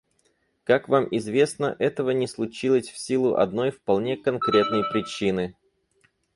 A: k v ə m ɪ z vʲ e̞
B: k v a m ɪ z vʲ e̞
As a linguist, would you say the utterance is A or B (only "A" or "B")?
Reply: B